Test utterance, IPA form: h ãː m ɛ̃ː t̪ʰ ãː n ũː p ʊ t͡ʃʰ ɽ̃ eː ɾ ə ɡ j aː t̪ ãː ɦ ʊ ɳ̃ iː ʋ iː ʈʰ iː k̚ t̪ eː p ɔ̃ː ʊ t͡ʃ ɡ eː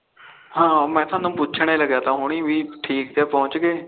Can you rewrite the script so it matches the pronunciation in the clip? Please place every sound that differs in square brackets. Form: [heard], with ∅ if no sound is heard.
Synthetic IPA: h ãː m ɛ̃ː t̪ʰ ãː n ũː p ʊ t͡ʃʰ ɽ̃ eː [l] ə ɡ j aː t̪ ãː ɦ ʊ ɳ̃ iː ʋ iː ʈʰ iː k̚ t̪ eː p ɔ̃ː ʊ t͡ʃ ɡ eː